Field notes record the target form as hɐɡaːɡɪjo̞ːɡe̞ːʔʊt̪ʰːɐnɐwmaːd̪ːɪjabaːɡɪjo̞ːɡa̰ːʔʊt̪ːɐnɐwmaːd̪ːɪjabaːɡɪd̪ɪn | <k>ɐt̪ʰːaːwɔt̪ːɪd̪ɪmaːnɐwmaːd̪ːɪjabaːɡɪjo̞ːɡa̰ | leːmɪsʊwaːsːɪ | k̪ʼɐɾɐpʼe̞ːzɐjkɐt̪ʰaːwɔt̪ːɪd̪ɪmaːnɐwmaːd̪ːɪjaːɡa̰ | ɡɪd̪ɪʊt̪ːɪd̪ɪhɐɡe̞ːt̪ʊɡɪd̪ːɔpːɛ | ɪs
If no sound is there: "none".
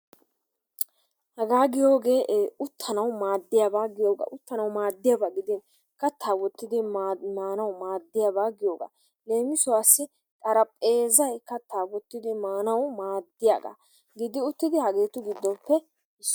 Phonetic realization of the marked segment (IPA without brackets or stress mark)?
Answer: k